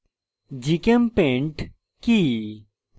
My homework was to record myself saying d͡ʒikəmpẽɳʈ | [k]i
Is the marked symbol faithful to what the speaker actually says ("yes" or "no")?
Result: yes